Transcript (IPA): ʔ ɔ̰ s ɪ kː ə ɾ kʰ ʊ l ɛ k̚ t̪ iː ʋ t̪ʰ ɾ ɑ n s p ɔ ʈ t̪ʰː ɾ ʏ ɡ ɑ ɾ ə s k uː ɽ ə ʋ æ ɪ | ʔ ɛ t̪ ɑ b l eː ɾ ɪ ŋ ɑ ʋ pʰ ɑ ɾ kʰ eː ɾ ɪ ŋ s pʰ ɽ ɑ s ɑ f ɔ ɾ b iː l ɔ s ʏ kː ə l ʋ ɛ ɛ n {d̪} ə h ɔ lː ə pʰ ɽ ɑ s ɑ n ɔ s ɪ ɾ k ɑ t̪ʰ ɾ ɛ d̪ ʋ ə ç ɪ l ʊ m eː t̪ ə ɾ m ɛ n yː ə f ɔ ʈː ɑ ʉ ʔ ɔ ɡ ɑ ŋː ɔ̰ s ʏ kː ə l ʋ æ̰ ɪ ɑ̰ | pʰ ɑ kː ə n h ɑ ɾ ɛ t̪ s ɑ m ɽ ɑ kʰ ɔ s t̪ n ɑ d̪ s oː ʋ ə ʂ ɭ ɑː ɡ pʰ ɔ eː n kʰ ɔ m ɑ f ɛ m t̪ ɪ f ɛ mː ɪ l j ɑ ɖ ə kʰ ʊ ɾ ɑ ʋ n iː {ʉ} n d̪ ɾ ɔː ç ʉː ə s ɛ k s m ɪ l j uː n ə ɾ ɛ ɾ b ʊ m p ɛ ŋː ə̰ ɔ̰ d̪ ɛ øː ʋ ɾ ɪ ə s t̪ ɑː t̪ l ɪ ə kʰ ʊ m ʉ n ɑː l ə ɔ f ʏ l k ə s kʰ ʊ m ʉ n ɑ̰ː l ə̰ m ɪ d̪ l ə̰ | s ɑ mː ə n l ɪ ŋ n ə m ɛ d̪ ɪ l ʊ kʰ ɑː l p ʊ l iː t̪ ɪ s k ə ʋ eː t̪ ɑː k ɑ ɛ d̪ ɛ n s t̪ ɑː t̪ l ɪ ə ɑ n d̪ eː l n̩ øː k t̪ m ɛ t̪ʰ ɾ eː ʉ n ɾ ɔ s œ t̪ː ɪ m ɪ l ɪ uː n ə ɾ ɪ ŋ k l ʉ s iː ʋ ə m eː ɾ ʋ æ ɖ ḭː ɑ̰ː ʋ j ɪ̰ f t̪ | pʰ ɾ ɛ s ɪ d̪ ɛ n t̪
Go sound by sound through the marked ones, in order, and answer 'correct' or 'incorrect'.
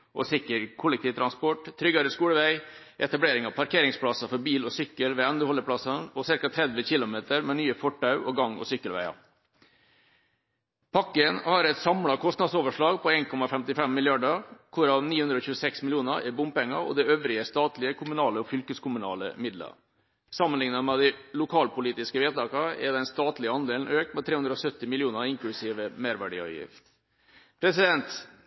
correct, correct

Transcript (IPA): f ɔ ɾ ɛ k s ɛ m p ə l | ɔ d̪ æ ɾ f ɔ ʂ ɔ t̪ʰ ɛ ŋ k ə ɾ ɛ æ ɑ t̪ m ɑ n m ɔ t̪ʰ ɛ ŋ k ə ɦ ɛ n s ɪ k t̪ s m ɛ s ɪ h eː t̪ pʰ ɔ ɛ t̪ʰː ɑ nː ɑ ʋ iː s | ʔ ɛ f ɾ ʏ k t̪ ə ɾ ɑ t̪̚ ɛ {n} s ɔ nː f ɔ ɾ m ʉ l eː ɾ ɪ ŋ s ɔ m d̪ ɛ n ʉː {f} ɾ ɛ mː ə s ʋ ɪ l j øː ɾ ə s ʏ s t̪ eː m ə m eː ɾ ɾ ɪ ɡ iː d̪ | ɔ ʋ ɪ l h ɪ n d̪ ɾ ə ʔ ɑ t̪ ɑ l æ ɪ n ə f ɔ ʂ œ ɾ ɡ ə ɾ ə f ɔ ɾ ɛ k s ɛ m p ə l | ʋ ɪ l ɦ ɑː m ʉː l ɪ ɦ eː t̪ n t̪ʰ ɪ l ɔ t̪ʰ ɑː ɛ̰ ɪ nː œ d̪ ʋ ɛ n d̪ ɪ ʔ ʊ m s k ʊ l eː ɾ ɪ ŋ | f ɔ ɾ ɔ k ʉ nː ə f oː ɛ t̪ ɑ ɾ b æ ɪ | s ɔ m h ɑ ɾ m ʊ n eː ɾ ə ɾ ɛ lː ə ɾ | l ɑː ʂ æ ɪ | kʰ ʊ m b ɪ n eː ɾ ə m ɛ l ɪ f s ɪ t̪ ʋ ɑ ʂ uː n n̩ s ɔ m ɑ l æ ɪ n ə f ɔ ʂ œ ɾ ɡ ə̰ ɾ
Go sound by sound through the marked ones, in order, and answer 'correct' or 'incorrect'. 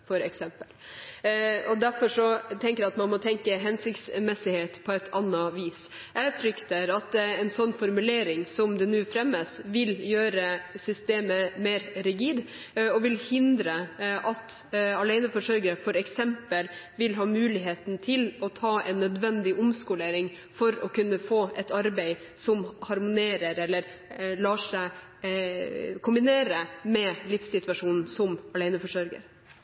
correct, correct

